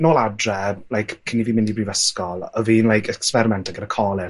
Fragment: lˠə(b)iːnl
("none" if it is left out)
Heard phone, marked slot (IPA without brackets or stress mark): v